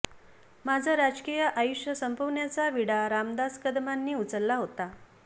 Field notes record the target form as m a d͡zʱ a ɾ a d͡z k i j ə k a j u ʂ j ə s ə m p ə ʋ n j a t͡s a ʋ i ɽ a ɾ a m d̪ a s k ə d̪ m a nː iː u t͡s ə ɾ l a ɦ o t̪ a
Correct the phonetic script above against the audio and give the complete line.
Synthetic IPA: m a d͡zʱ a ɾ a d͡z k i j ə ʔ a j u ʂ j ə s ə m p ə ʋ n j a t͡s a ʋ i ɽ a ɾ a m d̪ a s k ə d̪ m a nː iː u t͡s ə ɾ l a ɦ o t̪ a

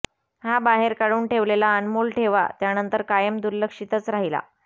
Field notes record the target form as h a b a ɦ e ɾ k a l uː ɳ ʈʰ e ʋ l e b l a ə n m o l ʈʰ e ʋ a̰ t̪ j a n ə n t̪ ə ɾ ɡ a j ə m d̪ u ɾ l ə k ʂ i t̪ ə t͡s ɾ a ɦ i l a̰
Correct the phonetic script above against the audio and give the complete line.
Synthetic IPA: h a b a ɦ e ɾ k a ɽ uː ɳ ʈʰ e ʋ l e l a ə n m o l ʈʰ e ʋ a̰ t̪ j a n ə n t̪ ə ɾ k a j ə m d̪ u ɾ l ə k ʂ i t̪ ə t͡s ɾ a ɦ i l a̰

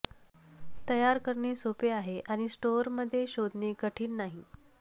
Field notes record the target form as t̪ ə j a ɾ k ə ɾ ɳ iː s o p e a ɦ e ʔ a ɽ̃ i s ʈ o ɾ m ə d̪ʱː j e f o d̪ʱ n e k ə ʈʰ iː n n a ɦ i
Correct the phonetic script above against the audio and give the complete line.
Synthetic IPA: t̪ ə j a ɾ k ə ɾ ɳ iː s o p e a ɦ e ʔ a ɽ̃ i s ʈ o ɾ m ə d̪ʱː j e ɕ o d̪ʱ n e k ə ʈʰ iː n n a ɦ i

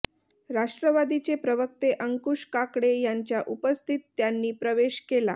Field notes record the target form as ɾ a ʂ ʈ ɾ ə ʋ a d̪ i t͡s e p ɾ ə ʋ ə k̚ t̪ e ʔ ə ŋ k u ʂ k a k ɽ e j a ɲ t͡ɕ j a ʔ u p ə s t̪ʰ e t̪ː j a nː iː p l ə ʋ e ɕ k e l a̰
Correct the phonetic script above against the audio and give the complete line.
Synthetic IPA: ɾ a ʂ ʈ ɾ ə ʋ a d̪ i t͡s e p ɾ ə ʋ ə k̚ t̪ e ʔ ə ŋ k u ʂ k a k ɽ e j a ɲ t͡ɕ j a ʔ u p ə s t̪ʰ i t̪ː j a nː iː p ɾ ə ʋ e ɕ k e l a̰

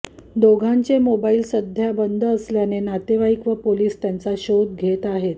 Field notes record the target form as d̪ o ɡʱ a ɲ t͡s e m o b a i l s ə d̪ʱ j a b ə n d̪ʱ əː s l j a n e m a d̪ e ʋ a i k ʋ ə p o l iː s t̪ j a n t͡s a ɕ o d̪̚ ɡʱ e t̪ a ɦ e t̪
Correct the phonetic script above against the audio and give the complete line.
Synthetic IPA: d̪ o ɡʱ a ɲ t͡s e m o b a i l s ə d̪ʱ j a b ə n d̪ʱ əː s l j a n e n a t̪ e ʋ a i k ʋ ə p o l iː s t̪ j a n t͡s a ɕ o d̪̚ ɡʱ e t̪ a ɦ e t̪

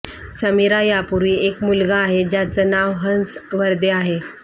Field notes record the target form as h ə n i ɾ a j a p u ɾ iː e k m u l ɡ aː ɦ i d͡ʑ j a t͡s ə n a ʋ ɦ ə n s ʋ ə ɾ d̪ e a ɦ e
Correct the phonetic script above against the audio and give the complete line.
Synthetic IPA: s ə m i ɾ a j a p u ɾ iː e k m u l ɡ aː ɦ e d͡ʑ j a t͡s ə n a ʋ ɦ ə n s ʋ ə ɾ d̪ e a ɦ e

